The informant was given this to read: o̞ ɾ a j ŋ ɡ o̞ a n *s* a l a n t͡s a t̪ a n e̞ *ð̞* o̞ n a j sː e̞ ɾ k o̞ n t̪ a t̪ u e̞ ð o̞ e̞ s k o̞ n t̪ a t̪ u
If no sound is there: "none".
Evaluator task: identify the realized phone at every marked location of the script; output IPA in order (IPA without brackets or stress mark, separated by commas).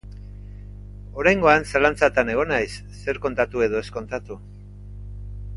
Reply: s, ɣ̞